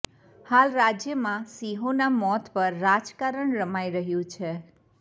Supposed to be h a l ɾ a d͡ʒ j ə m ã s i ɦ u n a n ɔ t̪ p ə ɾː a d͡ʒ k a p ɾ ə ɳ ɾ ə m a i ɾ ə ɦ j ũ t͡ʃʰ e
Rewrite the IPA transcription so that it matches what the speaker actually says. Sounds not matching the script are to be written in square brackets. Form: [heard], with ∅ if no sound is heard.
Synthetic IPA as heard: h a l ɾ a d͡ʒ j ə m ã s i ɦ [o] n a [m] ɔ t̪ p ə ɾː a d͡ʒ k a [∅] ɾ ə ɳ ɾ ə m a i ɾ ə ɦ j ũ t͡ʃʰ e